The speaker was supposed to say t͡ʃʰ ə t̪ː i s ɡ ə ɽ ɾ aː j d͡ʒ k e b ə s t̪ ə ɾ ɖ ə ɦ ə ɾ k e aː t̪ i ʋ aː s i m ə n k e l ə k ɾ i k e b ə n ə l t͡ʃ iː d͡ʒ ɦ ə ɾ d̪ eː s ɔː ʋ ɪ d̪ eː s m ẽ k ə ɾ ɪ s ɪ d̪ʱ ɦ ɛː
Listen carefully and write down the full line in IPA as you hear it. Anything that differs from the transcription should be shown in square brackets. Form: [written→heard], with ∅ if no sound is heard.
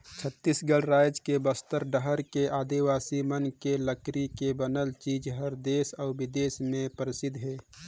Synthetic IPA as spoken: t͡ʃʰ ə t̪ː i s ɡ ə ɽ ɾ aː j d͡ʒ k e b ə s t̪ ə ɾ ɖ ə ɦ ə ɾ k e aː [t̪→d̪] i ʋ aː s i m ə n k e l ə k ɾ i k e b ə n ə l t͡ʃ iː d͡ʒ ɦ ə ɾ d̪ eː s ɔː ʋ ɪ d̪ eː s m ẽ [k→p] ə ɾ ɪ s ɪ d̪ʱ ɦ ɛː